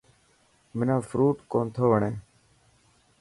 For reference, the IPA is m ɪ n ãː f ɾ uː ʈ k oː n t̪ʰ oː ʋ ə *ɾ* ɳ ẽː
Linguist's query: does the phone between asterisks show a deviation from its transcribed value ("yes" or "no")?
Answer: yes